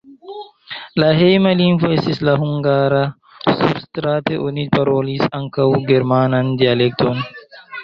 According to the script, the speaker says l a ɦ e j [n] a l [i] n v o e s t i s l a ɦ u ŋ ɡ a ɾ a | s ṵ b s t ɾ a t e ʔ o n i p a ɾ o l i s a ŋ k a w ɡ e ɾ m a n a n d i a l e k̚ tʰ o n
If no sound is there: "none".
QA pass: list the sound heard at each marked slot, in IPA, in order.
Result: m, i

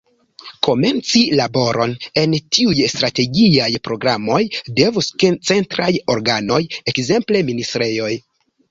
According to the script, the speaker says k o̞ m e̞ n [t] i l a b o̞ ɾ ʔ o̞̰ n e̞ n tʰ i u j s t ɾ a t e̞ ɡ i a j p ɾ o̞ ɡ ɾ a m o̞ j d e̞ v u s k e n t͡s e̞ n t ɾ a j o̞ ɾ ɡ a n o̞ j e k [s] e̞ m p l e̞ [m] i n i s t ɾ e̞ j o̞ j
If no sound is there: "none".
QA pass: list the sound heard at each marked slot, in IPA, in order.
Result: t͡s, z, m

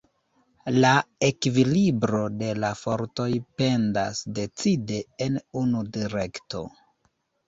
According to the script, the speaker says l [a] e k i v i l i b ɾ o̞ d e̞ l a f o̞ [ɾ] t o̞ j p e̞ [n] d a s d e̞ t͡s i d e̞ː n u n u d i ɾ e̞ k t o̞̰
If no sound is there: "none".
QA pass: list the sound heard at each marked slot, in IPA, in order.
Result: a, ɾ, n

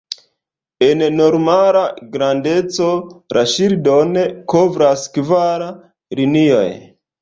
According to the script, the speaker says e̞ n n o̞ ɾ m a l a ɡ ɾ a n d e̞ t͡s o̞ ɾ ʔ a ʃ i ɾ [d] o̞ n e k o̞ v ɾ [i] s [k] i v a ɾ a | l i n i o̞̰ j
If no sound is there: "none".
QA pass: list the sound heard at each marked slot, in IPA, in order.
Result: d, a, k

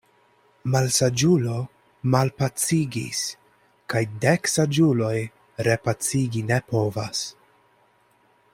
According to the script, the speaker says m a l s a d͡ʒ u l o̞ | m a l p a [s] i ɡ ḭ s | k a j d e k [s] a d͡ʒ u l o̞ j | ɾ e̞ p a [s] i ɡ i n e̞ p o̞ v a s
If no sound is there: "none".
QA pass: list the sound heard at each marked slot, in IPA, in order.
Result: t͡s, s, t͡s

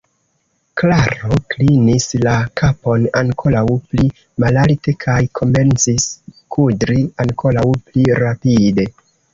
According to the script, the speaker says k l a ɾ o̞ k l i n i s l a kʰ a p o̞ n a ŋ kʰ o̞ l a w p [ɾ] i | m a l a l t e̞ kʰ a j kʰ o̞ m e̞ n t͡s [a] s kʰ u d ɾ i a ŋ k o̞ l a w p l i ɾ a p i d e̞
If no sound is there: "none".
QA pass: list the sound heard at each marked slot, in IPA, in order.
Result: l, i

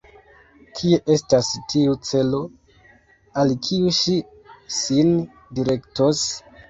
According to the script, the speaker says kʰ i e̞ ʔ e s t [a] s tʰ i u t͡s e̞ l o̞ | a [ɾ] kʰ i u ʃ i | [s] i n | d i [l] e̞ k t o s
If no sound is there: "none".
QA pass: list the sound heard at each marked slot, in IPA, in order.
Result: a, l, s, ɾ

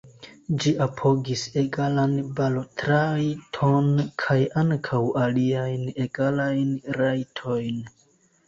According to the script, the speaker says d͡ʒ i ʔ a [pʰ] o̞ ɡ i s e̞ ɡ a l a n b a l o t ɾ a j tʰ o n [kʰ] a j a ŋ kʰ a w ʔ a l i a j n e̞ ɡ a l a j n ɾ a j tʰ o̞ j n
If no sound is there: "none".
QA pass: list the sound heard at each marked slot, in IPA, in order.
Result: pʰ, kʰ

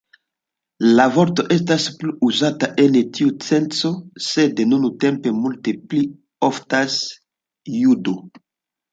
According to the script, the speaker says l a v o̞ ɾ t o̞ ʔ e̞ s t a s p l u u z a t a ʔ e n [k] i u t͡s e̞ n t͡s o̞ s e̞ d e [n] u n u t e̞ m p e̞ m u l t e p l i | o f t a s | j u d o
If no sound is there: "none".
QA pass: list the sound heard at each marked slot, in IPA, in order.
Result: t, n

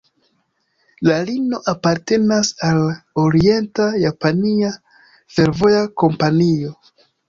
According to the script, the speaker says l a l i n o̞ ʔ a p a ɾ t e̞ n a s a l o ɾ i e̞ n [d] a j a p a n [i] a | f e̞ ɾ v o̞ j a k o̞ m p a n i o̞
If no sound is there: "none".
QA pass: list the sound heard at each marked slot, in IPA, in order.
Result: t, i

